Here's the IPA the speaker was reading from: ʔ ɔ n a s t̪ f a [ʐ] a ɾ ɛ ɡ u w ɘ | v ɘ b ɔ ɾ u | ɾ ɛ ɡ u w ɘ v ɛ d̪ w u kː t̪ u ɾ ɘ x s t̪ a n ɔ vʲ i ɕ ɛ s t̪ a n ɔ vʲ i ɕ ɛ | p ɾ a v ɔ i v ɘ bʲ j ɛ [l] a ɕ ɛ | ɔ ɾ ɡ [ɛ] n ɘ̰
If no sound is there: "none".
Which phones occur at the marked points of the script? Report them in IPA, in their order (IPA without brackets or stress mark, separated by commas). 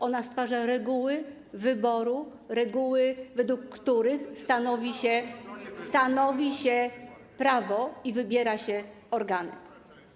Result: ʐ, ɾ, a